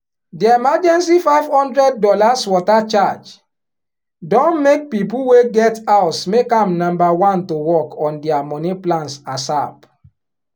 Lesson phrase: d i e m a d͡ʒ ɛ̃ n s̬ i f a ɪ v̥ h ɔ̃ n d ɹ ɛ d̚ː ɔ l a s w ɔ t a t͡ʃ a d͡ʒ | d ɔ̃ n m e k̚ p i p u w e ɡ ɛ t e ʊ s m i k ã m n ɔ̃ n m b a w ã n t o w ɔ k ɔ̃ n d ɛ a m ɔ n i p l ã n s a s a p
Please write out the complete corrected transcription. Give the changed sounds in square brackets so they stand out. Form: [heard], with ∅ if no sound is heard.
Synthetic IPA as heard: d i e m a d͡ʒ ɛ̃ n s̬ i f a ɪ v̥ h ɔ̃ n d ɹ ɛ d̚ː ɔ l a s w ɔ t a t͡ʃ a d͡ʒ | d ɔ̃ n m e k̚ p i p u w e ɡ ɛ t [a] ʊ s m [e] k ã m n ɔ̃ [∅] m b a w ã n t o w ɔ k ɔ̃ n d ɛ a m ɔ n i p l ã n s a s a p